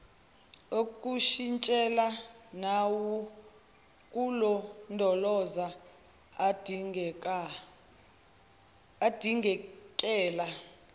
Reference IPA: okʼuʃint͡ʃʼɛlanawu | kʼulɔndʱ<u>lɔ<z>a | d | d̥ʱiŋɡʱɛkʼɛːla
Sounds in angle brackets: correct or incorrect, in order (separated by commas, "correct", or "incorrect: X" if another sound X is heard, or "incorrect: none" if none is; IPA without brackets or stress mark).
incorrect: ɔ, correct